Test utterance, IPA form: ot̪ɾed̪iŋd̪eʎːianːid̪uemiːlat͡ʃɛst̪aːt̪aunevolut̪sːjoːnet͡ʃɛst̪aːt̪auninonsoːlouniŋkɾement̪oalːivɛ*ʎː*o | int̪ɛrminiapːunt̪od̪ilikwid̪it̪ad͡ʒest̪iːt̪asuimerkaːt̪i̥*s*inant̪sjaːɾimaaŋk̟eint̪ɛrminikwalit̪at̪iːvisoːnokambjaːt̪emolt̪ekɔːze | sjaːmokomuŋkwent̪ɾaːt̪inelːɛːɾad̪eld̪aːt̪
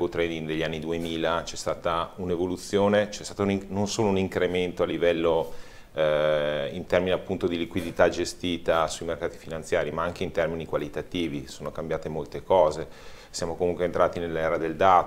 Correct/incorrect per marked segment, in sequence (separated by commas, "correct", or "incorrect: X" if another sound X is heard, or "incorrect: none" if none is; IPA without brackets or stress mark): incorrect: lː, incorrect: f